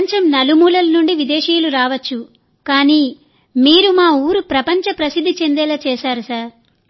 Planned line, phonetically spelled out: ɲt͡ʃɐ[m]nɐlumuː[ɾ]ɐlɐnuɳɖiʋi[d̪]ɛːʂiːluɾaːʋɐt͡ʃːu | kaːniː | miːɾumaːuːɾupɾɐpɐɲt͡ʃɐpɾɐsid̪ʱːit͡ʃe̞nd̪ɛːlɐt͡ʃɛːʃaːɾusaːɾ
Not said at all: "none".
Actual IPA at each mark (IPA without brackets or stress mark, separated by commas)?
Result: m, l, d̪